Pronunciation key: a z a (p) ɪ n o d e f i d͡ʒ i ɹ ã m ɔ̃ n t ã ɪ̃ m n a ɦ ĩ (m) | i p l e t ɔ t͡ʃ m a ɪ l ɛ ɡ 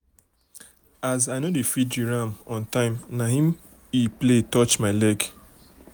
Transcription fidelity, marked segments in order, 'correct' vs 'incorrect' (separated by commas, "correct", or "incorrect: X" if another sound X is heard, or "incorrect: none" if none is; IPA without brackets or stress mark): incorrect: none, correct